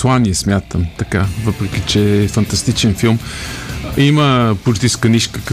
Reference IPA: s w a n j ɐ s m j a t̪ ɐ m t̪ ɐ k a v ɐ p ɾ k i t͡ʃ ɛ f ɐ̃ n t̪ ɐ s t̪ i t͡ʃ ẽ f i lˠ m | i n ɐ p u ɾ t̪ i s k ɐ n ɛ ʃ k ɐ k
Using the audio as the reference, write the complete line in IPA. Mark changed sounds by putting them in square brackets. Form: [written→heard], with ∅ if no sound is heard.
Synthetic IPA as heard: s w a n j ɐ s m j a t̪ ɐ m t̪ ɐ k a v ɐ p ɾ k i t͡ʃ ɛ f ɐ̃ n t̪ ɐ s t̪ i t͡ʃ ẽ f i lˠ m | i [n→m] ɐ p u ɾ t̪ i s k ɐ n [ɛ→i] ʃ k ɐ k